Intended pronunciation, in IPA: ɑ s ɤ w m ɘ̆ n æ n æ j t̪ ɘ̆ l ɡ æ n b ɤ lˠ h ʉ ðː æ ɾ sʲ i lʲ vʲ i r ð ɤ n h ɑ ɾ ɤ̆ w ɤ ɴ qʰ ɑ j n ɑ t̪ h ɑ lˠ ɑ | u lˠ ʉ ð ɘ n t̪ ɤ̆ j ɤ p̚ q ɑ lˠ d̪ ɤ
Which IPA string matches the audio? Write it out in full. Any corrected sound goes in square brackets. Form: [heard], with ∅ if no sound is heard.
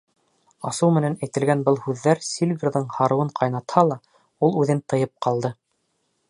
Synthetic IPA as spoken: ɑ s ɤ w m ɘ̆ n æ n æ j t̪ ɘ̆ l ɡ æ n b ɤ lˠ h ʉ ðː æ ɾ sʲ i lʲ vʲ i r ð ɤ [ɴ] h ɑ ɾ ɤ̆ w ɤ ɴ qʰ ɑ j n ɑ t̪ h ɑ lˠ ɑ | u lˠ ʉ ð ɘ n t̪ ɤ̆ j ɤ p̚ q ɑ lˠ d̪ ɤ